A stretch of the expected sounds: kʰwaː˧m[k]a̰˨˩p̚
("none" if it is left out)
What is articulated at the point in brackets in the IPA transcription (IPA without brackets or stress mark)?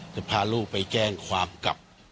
k